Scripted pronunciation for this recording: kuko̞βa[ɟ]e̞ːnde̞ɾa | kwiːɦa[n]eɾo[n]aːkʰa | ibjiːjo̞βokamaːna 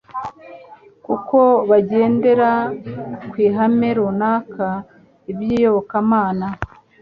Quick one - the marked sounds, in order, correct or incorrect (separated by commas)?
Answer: correct, incorrect, correct